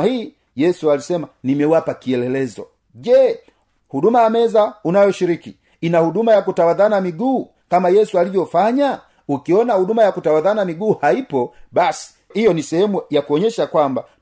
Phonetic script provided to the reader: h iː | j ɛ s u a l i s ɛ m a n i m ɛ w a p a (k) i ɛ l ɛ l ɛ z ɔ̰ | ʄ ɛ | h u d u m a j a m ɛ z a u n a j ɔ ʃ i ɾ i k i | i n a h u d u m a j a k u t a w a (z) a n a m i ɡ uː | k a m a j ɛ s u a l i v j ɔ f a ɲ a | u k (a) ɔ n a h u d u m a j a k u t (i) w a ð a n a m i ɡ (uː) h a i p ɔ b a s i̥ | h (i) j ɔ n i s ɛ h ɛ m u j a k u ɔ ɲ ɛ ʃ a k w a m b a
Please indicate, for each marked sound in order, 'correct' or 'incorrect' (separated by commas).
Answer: correct, incorrect, incorrect, incorrect, correct, correct